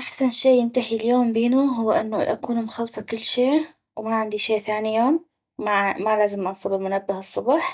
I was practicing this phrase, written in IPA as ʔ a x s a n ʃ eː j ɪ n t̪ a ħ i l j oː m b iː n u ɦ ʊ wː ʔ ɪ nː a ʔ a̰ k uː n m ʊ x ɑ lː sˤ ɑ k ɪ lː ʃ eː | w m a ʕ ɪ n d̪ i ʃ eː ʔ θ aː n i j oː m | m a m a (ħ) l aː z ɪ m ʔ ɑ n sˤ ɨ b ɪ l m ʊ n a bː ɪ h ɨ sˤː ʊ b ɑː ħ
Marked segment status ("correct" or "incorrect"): incorrect